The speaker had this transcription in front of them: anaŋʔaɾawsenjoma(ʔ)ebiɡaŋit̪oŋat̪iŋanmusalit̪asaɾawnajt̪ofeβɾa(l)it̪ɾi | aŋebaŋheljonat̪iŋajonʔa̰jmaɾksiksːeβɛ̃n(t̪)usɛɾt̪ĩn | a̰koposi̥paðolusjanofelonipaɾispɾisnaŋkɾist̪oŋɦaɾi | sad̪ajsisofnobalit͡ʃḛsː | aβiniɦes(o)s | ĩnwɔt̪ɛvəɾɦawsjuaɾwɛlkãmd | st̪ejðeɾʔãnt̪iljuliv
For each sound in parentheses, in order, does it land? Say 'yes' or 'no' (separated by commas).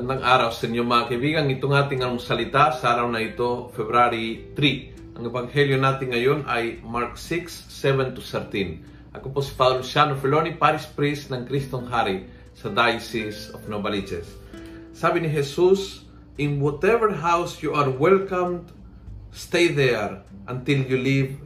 no, no, yes, no